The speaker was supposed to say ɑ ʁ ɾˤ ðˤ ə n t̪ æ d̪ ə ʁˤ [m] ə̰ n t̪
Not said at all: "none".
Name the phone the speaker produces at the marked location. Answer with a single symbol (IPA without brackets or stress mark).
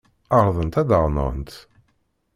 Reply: n